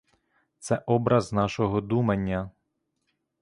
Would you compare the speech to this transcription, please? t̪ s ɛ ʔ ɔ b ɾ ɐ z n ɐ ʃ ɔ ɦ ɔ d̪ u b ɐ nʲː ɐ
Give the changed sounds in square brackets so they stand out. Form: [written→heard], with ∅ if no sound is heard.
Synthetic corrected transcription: t̪ s ɛ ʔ ɔ b ɾ ɐ z n [ɐ→ɑ] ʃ ɔ ɦ ɔ d̪ u [b→m] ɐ nʲː ɐ